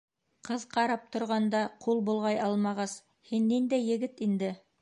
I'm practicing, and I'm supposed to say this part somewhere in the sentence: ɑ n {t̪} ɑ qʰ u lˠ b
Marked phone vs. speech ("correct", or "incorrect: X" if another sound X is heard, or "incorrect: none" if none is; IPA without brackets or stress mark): incorrect: d̪